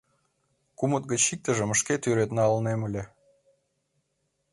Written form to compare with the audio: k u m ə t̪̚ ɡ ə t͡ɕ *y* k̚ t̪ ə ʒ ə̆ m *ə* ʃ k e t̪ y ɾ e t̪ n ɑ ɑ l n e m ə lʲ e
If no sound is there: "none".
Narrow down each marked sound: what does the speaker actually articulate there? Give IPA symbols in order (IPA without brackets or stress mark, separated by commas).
i, ə